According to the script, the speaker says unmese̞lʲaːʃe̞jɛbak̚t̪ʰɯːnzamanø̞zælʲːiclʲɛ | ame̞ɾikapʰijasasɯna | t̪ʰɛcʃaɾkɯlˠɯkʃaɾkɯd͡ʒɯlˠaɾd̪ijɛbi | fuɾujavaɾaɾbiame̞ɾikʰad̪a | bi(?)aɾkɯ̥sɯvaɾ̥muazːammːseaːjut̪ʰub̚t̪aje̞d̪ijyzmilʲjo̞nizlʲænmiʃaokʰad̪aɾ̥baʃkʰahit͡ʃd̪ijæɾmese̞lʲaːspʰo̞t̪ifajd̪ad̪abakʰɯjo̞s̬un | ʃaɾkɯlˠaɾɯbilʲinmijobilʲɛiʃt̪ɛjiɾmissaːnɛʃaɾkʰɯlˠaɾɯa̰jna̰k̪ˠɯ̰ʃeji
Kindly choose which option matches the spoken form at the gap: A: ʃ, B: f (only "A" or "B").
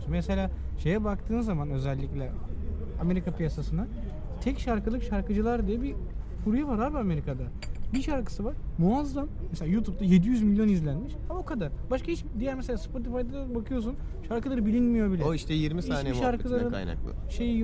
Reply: A